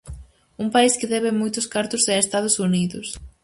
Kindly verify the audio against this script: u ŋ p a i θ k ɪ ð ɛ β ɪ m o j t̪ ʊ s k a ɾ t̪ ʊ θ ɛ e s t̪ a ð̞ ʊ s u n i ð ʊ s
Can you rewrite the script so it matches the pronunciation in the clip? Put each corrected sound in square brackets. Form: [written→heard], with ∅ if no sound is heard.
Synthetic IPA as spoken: u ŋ p a i [θ→s] k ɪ ð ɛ β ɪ m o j t̪ ʊ s k a ɾ t̪ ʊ [θ→s] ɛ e s t̪ a ð̞ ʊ s u n i ð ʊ s